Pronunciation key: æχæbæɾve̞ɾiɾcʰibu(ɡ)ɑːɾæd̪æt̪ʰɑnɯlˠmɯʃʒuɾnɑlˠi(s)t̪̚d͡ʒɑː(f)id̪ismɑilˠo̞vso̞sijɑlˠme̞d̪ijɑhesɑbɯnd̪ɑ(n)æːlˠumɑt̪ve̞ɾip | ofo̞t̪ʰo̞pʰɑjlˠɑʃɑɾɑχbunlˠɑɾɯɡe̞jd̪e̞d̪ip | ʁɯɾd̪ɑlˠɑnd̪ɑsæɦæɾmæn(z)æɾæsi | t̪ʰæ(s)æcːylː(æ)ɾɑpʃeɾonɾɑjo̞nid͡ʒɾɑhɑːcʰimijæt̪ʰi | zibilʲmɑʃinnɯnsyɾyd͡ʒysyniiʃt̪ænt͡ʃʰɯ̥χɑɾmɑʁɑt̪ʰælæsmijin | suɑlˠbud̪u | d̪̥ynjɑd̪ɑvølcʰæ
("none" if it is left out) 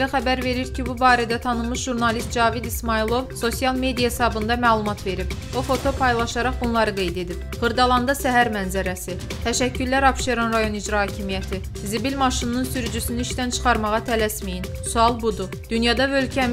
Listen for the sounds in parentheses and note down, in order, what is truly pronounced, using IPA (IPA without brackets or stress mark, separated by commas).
b, s, v, m, z, ʃ, æ